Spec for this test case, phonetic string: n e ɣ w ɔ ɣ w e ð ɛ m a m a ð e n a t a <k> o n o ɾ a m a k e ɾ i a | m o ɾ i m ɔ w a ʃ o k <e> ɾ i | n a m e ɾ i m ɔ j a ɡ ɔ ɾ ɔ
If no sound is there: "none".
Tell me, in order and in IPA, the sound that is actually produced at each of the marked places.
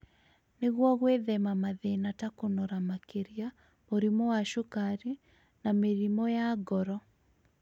k, a

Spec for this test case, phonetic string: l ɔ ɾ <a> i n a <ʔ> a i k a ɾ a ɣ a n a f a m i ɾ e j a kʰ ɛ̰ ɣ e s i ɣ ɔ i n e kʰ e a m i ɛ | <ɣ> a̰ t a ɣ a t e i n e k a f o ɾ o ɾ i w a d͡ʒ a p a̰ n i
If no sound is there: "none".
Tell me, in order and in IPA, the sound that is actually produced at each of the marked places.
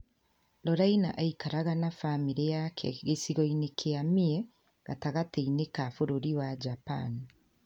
a, ʔ, ɣ

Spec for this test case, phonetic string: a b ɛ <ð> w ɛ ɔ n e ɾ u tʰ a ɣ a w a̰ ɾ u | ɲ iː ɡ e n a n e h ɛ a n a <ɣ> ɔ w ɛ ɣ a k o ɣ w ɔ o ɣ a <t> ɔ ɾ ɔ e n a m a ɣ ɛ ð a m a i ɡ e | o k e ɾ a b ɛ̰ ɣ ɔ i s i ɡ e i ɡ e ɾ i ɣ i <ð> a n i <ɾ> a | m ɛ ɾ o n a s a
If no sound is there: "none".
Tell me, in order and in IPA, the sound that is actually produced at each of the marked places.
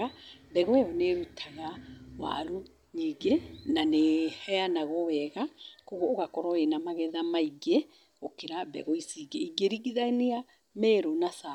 ɣ, ɣ, k, ð, none

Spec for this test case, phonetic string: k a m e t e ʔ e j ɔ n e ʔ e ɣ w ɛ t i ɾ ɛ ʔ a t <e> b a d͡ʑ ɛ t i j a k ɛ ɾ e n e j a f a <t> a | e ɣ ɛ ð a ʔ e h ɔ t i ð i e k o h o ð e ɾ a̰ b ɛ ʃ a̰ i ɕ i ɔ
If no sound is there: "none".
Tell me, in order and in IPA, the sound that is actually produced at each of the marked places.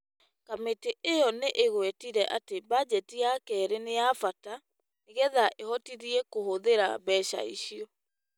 e, t

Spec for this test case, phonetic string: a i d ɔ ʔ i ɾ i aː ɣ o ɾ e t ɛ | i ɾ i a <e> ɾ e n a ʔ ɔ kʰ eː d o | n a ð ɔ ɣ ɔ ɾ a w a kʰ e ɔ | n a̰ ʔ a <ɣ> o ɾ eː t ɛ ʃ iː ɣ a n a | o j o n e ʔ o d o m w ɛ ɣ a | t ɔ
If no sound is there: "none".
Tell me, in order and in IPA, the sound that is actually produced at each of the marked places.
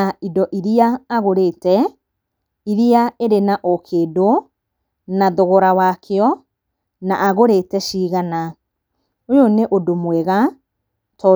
e, ɣ

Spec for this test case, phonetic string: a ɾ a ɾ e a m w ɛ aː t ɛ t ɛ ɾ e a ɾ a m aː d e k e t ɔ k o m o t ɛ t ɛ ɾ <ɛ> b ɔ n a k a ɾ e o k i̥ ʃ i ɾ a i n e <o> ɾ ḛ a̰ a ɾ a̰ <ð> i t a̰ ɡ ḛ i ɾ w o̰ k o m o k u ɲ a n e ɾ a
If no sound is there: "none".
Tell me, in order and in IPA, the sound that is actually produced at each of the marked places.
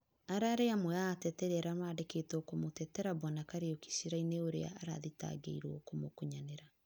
a, o, ð

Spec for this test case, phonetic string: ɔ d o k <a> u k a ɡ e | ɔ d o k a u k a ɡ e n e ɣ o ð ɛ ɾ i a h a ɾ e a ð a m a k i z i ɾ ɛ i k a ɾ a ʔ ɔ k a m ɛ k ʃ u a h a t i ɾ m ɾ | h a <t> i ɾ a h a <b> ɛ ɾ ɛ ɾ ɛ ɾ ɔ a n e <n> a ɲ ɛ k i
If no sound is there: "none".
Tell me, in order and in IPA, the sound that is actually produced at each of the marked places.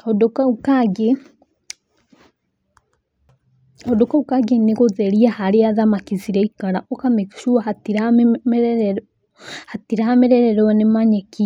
a, t, m, m

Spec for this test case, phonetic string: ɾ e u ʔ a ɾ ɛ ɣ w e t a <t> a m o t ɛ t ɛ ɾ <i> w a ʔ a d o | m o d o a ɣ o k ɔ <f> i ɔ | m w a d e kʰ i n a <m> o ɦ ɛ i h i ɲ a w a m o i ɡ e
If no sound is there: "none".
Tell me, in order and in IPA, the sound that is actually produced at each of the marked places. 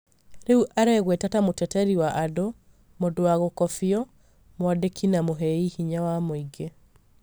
t, i, f, m

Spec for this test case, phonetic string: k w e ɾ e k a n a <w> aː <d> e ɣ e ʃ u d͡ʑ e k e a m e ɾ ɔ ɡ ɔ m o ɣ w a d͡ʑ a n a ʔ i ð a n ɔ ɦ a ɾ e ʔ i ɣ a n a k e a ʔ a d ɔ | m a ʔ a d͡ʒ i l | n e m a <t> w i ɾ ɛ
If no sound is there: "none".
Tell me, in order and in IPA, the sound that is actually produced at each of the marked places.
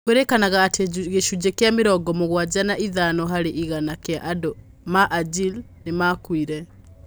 ɣ, t, k

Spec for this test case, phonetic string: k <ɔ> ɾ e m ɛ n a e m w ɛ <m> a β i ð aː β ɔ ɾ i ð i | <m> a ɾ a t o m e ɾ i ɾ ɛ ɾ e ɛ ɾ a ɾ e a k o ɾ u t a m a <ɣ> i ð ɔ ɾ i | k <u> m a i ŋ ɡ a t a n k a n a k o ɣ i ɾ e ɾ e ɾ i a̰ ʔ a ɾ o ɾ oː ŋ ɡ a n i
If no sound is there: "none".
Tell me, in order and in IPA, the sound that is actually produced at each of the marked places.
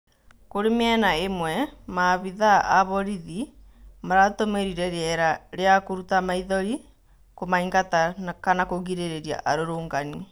o, m, m, none, o

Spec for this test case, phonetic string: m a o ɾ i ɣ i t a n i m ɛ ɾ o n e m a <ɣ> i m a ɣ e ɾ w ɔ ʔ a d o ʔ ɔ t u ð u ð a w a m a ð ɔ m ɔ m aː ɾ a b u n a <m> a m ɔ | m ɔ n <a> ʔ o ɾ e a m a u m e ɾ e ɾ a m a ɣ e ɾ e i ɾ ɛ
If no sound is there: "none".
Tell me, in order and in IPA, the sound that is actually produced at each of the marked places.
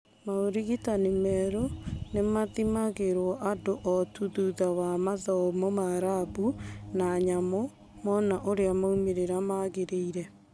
ð, ɲ, a

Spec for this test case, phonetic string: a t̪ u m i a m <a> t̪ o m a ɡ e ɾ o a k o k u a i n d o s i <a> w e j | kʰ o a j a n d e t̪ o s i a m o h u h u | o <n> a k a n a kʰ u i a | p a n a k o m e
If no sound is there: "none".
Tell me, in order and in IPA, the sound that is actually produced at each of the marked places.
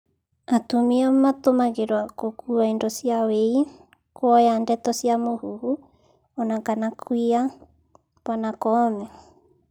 a, a, n

